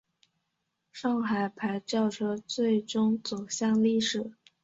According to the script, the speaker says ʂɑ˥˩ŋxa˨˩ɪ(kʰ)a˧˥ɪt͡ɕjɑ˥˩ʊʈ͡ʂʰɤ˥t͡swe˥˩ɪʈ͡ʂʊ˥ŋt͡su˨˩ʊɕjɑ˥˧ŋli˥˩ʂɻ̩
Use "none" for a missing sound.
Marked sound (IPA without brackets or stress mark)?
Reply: pʰ